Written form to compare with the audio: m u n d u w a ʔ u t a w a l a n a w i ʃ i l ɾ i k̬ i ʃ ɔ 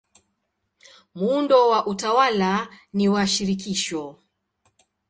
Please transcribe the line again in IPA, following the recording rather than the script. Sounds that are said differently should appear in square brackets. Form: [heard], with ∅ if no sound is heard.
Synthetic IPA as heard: m u n d [ɔ] w a ʔ u t a w a l a n [i] w [a] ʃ i [∅] ɾ i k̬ i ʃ ɔ